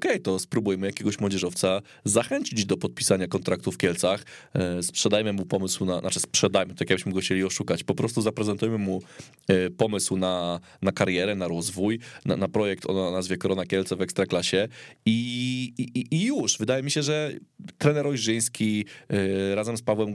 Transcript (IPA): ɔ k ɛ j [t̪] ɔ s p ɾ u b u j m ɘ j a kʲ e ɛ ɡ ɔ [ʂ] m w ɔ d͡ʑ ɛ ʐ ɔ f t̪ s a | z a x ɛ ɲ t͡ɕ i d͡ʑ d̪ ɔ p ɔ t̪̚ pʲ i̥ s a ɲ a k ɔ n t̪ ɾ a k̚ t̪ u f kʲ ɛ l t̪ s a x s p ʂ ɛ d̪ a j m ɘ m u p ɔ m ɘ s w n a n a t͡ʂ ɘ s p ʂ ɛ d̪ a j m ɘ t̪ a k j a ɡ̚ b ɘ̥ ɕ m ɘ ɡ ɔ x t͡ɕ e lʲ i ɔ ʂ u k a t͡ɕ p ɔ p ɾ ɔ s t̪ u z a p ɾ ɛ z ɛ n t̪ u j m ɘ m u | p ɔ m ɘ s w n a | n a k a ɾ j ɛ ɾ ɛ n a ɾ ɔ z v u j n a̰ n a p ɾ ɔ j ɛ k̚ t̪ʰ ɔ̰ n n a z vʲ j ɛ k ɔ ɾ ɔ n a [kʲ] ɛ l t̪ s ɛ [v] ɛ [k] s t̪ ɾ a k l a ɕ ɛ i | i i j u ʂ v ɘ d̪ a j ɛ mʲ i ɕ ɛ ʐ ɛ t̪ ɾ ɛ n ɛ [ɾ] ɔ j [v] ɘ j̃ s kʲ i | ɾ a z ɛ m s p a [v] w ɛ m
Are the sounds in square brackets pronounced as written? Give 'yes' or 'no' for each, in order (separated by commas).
yes, no, yes, yes, yes, yes, no, yes